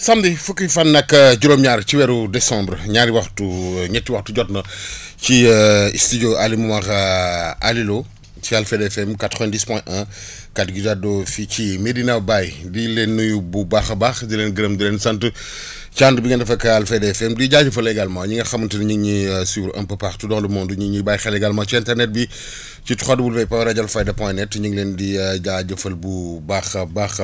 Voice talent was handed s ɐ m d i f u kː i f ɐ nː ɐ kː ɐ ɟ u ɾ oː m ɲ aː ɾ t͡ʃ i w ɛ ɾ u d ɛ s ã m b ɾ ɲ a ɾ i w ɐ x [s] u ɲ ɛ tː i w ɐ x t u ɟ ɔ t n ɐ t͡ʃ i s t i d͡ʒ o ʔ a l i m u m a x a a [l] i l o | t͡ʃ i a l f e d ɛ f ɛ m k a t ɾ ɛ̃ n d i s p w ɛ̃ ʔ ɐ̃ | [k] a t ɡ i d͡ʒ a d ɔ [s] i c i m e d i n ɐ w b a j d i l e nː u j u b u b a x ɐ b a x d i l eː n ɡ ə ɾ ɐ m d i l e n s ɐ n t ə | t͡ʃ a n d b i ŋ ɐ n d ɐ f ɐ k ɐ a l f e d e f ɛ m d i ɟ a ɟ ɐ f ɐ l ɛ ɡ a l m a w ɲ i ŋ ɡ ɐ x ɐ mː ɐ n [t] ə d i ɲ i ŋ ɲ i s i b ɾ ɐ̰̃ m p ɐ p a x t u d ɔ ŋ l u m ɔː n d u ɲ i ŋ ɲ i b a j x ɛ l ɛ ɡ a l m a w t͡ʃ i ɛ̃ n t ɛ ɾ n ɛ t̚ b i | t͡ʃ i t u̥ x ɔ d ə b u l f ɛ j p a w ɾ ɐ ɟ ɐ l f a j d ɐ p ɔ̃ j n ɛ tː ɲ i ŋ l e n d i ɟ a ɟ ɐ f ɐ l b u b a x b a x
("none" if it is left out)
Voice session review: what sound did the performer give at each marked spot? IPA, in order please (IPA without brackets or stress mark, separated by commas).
t, l, k, f, t